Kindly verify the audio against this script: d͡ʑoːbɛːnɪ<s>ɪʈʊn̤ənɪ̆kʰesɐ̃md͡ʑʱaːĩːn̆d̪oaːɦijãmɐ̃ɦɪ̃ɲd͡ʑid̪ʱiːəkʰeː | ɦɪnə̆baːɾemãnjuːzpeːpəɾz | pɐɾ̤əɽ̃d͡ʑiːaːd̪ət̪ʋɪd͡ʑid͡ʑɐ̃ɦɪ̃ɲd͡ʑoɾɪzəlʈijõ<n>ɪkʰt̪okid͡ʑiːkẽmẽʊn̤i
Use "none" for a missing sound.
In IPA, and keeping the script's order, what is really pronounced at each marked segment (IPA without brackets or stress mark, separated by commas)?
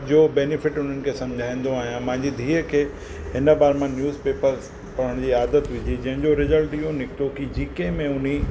f, n